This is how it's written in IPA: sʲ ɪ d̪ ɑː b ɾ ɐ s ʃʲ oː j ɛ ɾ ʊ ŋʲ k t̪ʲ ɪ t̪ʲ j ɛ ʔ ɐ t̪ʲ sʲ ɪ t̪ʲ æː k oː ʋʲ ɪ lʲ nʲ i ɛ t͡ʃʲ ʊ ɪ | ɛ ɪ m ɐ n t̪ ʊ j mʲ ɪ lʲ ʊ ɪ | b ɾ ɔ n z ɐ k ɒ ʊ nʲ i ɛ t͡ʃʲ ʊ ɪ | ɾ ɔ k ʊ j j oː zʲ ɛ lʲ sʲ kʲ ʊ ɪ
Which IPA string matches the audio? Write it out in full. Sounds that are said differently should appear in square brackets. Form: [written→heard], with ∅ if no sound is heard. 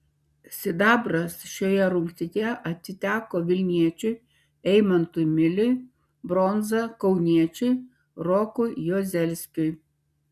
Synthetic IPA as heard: sʲ ɪ d̪ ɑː b ɾ ɐ s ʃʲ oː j ɛ ɾ ʊ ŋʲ k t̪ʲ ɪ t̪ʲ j ɛ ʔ ɐ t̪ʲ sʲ ɪ t̪ʲ æː k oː ʋʲ ɪ lʲ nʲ i ɛ t͡ʃʲ ʊ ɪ | ɛ ɪ m ɐ n t̪ ʊ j mʲ ɪ lʲ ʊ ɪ | b ɾ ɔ n z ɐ k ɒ ʊ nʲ i ɛ t͡ʃʲ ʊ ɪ | ɾ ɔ k ʊ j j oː zʲ ɛ lʲ sʲ kʲ ʊ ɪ